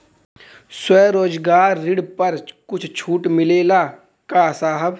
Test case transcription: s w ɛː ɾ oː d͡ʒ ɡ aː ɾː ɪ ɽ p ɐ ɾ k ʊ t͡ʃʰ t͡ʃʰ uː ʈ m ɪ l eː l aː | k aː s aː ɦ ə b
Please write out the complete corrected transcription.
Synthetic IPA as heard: s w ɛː ɾ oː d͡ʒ ɡ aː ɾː ɪ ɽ p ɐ ɾ k ʊ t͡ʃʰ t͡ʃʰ uː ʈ m ɪ l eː l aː | k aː s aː ɦ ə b